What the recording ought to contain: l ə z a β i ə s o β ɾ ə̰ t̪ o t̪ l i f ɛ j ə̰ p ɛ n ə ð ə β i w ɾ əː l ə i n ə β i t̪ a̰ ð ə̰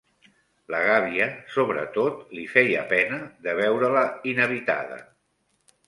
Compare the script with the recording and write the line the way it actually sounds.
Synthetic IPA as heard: l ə ɣ a β i ə s o β ɾ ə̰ t̪ o t̪ l i f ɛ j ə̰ p ɛ n ə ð ə β ɛ w ɾ ə l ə i n ə β i t̪ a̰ ð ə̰